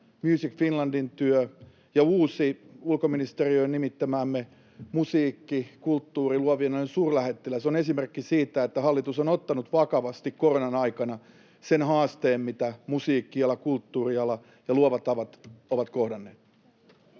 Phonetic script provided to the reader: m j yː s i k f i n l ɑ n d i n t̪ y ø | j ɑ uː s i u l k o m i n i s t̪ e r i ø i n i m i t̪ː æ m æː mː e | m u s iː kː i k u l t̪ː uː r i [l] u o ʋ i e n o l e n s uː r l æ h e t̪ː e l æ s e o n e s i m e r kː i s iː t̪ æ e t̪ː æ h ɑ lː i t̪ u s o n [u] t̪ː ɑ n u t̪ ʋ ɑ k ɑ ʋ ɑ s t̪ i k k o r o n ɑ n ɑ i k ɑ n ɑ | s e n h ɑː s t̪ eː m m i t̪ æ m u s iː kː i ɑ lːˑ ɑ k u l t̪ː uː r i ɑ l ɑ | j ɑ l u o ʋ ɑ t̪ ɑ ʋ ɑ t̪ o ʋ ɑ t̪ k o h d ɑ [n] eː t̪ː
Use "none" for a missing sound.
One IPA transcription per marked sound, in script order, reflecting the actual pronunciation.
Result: l, o, nː

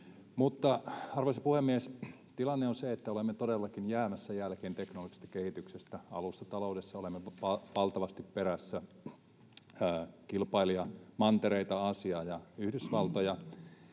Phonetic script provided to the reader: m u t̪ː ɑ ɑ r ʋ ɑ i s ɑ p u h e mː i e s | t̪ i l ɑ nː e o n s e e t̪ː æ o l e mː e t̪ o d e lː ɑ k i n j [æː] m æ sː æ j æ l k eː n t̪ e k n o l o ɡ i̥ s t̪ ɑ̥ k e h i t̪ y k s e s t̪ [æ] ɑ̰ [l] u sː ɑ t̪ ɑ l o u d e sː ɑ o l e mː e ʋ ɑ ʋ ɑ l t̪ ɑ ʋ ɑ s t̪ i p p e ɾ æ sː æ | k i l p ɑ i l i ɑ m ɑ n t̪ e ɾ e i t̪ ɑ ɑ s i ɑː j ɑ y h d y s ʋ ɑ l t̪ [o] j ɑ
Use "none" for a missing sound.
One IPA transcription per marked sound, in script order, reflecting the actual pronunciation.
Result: æː, æ, l, o

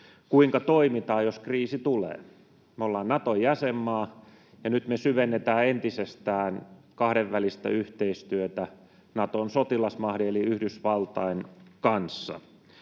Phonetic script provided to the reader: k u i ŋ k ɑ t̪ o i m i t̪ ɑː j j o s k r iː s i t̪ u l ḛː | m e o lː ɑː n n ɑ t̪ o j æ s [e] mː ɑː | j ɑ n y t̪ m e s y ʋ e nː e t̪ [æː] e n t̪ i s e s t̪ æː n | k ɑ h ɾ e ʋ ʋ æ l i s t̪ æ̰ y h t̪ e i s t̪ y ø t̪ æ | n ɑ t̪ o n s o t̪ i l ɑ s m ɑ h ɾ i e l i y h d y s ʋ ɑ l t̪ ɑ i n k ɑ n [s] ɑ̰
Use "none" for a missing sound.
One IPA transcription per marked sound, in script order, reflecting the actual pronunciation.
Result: e, æː, sː

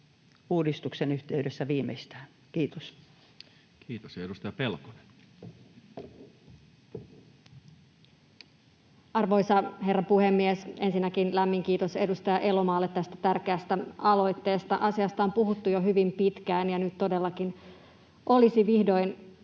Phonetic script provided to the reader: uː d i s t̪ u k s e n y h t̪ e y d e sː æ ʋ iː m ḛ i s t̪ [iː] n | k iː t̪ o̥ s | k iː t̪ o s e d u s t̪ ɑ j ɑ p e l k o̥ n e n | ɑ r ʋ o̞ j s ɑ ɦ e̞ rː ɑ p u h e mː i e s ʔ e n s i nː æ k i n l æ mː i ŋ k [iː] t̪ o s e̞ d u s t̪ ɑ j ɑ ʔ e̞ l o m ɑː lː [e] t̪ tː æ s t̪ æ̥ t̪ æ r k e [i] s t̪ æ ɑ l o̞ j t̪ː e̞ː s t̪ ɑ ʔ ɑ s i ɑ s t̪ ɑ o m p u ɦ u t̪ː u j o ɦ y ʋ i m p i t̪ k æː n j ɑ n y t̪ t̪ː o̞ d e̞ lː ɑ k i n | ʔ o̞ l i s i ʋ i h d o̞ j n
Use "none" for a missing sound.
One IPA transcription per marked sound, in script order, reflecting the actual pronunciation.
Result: æː, iː, e, æ

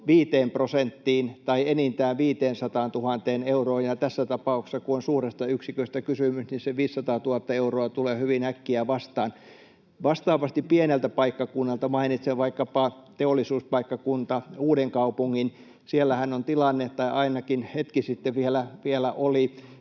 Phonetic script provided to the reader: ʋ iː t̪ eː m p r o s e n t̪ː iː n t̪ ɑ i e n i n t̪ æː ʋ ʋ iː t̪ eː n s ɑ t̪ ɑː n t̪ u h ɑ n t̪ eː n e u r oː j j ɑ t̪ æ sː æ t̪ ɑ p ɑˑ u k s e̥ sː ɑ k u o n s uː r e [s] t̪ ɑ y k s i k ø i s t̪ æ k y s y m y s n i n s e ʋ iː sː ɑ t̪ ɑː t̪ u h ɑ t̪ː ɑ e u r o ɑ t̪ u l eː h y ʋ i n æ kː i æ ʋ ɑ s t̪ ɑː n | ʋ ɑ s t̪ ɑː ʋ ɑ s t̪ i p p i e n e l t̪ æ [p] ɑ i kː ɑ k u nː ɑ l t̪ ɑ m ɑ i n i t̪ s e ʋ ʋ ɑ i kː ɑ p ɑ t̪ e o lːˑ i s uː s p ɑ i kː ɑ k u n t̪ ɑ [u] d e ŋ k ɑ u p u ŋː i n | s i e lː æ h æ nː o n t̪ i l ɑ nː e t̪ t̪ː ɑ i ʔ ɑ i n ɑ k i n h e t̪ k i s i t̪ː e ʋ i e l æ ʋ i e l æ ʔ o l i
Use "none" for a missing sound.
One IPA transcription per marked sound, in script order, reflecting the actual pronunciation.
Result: s, p, uː

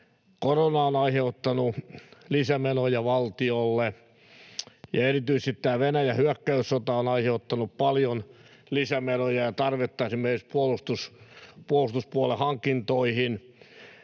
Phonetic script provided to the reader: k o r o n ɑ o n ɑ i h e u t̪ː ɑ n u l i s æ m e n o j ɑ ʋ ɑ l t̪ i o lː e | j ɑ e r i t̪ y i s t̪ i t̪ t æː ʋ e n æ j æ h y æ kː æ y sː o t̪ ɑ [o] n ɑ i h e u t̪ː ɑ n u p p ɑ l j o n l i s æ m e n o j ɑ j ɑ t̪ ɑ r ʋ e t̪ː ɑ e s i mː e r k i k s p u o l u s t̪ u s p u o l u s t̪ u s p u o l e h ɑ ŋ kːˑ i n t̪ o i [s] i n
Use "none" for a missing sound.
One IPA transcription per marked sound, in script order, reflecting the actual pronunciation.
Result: o, h

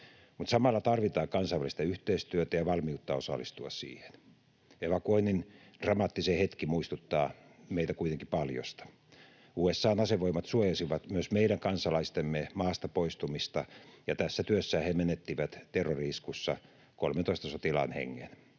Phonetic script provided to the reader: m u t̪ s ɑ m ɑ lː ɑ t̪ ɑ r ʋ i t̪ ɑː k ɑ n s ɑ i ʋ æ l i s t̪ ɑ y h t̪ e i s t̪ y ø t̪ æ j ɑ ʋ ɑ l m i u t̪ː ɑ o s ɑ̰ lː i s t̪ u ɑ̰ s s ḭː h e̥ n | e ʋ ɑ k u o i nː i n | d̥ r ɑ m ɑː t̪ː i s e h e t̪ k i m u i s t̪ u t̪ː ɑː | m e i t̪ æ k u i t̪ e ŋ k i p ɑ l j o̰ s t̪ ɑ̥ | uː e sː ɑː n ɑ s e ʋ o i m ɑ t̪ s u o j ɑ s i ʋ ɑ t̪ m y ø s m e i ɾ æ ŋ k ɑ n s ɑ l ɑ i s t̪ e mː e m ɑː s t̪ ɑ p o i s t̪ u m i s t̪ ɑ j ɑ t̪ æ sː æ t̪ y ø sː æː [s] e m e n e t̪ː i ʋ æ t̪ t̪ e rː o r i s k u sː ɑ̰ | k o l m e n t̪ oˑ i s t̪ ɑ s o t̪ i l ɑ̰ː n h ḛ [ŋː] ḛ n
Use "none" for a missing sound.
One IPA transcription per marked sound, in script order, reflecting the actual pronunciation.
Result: h, ŋː

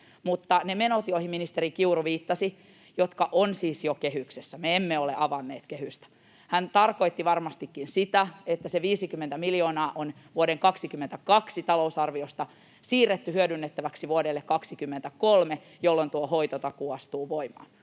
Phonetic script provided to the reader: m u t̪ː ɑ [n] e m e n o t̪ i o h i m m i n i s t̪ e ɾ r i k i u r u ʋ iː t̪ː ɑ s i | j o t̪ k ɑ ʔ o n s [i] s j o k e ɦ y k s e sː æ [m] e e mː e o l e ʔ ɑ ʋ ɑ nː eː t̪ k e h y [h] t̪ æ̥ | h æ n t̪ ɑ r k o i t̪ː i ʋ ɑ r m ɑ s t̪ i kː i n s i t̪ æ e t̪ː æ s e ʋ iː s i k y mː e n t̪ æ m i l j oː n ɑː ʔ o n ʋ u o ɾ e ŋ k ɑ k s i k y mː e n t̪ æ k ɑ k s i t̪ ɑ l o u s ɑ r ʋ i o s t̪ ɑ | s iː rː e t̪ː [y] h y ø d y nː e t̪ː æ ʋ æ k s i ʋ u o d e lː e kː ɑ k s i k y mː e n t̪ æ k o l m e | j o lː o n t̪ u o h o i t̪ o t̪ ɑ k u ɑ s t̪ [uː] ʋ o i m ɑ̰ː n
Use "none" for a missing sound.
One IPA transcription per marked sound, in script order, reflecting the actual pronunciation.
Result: n, iː, m, s, y, uː

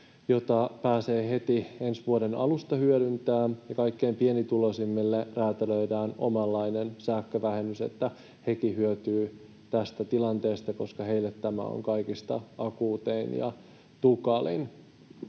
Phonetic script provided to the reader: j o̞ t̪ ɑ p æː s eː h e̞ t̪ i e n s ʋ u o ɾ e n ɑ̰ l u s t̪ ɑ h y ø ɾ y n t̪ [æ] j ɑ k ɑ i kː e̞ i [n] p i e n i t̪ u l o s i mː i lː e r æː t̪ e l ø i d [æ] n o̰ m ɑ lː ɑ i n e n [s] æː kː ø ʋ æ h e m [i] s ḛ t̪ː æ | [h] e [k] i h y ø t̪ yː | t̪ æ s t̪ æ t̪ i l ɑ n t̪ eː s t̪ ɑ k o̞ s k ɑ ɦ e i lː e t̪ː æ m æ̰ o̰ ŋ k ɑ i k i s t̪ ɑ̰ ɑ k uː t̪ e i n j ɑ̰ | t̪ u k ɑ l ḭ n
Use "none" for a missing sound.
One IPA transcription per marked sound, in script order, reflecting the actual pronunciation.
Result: æː, m, æː, s, y, h, k

